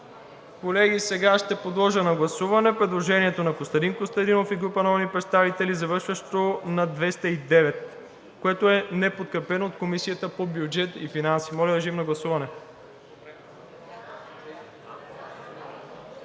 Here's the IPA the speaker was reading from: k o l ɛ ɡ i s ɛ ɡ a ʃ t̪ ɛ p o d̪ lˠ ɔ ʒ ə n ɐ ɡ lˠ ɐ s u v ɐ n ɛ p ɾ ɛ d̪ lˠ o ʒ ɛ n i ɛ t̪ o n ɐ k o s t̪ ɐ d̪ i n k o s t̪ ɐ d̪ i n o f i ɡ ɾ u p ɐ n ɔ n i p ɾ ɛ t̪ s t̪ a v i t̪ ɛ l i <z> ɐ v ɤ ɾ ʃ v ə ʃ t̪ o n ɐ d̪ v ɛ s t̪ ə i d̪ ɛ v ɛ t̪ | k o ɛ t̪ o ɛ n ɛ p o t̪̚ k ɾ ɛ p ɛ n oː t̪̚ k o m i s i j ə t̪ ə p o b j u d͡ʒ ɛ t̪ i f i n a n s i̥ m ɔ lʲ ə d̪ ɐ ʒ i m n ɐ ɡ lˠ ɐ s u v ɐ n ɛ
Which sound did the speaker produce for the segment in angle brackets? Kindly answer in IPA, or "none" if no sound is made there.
z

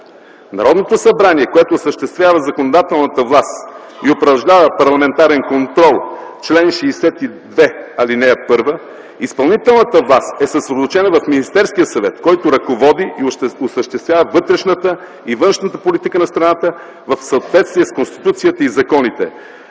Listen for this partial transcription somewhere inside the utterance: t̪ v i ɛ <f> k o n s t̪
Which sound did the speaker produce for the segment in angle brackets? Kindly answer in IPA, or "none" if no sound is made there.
s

